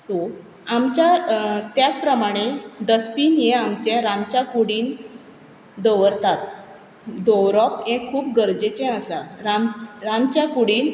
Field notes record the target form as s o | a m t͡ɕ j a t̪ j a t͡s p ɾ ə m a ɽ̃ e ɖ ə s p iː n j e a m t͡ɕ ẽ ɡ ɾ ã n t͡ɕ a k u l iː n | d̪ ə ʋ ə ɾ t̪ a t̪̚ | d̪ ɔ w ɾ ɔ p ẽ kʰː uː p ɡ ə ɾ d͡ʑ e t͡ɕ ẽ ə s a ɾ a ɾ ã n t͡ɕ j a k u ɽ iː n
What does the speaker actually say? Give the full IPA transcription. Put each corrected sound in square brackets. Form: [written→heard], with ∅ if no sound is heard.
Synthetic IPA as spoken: s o | a m t͡ɕ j a t̪ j a t͡s p ɾ ə m a ɽ̃ e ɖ ə s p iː n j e a m t͡ɕ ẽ [ɡ→∅] ɾ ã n t͡ɕ a k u [l→ɽ] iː n | d̪ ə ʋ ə ɾ t̪ a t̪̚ | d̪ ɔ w ɾ ɔ p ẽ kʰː uː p ɡ ə ɾ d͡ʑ e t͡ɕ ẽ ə s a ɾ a ɾ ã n t͡ɕ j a k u ɽ iː n